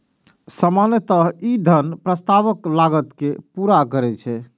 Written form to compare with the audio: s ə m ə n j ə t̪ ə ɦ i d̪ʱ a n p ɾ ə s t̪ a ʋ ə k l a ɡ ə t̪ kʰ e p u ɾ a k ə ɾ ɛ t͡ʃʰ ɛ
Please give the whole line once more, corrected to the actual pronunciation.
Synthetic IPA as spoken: s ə m a n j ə t̪ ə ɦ i d̪ʱ ə n p ɾ ə s t̪ a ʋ ə k l a ɡ ə t̪ k e p u ɾ a k ə ɾ ɛ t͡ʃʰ ɛ